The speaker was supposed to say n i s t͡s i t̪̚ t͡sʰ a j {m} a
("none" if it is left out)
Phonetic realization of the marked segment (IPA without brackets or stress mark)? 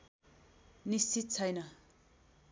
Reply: n